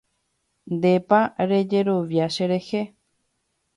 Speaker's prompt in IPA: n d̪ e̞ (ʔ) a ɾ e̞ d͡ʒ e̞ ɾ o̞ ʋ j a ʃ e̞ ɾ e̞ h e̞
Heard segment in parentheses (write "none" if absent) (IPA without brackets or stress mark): p